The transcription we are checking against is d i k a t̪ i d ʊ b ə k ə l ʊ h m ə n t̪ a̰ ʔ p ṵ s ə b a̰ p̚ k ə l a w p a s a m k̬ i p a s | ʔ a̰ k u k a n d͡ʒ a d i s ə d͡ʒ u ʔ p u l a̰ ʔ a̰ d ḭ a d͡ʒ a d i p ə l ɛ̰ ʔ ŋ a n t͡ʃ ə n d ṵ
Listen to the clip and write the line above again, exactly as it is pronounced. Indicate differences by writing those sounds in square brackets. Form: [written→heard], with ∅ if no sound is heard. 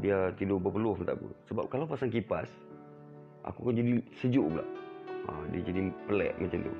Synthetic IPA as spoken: d i [k→∅] a t̪ i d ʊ b ə [k→p] ə l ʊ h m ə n t̪ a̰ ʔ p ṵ s ə b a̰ p̚ k [ə→a] l a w p a s a [m→ŋ] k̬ i p a s | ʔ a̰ k u k a n d͡ʒ a d i s ə d͡ʒ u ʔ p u l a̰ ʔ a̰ d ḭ a d͡ʒ a d i p ə l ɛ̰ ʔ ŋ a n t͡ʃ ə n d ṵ